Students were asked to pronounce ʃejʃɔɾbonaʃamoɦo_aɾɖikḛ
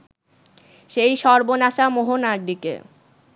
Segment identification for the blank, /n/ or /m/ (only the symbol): n